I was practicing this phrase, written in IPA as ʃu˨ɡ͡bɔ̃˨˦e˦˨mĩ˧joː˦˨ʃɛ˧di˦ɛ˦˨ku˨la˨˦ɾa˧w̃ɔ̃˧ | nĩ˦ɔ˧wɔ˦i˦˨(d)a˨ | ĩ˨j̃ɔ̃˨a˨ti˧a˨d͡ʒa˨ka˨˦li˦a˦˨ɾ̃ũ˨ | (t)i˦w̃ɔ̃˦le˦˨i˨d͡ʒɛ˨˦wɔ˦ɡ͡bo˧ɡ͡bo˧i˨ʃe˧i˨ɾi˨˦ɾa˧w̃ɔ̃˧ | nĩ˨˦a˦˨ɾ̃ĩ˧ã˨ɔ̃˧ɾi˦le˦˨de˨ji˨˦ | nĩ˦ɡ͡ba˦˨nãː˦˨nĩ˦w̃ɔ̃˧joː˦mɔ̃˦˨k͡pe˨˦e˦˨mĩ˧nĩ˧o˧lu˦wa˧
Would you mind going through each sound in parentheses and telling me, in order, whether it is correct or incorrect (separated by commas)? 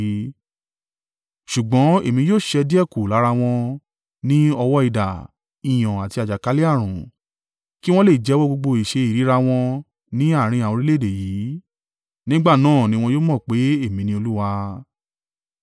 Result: correct, incorrect